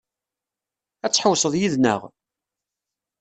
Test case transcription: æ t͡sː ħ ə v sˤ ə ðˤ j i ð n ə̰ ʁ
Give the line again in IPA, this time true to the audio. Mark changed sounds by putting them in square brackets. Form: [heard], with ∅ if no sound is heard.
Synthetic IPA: æ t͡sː ħ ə [w] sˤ ə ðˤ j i ð n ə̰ ʁ